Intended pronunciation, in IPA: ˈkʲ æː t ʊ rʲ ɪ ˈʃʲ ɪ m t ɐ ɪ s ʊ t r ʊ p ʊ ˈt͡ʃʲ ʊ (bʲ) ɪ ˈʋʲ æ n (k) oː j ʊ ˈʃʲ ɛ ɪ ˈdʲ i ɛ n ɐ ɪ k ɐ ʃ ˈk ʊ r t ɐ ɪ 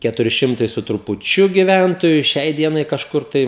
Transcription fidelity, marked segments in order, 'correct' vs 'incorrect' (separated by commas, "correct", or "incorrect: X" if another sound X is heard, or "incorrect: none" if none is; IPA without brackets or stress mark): incorrect: ɡʲ, incorrect: t